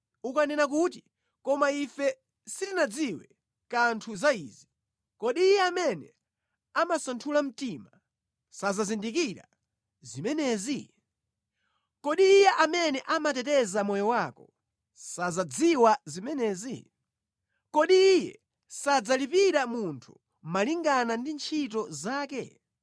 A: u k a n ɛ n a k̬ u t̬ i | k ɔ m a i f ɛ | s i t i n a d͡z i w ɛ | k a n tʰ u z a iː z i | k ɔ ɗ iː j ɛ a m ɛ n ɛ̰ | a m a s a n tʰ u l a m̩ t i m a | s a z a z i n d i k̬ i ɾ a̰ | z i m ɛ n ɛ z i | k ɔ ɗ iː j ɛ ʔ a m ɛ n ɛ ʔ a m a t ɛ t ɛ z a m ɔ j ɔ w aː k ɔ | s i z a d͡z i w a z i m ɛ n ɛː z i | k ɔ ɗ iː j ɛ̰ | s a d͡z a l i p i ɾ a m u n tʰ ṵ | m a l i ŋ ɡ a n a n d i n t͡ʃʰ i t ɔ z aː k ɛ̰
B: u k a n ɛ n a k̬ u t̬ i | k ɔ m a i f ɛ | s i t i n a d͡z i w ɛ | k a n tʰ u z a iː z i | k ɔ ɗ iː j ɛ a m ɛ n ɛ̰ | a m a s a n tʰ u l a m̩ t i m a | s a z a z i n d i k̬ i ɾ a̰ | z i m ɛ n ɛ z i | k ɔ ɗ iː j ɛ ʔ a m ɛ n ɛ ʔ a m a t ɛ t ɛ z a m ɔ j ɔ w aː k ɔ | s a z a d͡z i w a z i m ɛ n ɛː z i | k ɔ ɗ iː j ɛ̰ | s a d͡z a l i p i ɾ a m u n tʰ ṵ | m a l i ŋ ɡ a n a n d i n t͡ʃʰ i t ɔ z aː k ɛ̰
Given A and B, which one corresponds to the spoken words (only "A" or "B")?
B